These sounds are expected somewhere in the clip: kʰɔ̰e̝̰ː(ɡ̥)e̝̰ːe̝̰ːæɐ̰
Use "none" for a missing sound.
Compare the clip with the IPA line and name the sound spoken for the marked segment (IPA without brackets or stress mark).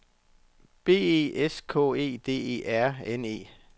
d̥